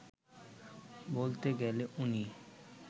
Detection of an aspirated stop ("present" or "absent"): absent